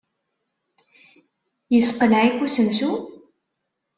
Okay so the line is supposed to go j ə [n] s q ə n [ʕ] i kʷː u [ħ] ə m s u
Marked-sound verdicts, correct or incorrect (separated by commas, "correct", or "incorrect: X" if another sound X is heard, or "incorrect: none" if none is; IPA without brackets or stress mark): incorrect: none, correct, incorrect: s